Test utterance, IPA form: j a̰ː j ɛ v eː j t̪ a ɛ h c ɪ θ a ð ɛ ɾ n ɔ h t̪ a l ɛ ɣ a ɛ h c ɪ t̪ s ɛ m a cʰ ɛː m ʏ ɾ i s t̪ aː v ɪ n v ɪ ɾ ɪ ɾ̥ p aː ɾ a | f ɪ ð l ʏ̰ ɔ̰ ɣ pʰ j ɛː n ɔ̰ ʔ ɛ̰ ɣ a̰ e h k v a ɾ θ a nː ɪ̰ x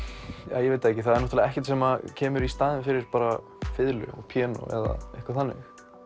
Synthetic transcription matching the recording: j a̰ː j ɛ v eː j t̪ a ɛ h c ɪ θ a ð ɛ ɾ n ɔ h t̪ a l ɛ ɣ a ɛ h c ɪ t̪ s ɛ m a cʰ ɛː m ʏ ɾ i s t̪ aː ð ɪ n f ɪ ɾ ɪ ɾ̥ p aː ɾ a | f ɪ ð l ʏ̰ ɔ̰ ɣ pʰ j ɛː n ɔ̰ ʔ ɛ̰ ð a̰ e h k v a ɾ θ a nː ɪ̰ x